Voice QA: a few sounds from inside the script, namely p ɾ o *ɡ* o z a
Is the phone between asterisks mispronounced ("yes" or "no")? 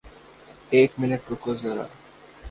yes